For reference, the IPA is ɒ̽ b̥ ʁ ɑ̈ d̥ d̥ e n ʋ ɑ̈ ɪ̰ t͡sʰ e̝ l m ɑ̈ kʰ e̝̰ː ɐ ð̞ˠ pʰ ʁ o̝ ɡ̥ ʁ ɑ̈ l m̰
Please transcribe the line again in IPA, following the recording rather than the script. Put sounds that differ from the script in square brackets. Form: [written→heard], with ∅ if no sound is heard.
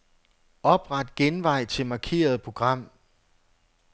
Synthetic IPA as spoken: ɒ̽ b̥ ʁ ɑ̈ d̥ [d̥→ɡ̥] e n ʋ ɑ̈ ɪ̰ t͡sʰ e̝ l m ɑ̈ kʰ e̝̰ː ɐ ð̞ˠ pʰ ʁ o̝ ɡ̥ ʁ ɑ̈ [l→∅] m̰